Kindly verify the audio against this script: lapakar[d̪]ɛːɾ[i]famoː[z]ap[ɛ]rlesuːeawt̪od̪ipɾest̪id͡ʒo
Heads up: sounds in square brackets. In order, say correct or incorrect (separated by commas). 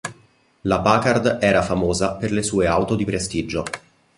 correct, incorrect, correct, incorrect